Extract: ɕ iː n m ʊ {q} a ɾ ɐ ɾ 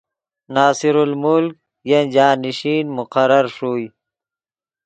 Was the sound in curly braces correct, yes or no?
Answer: yes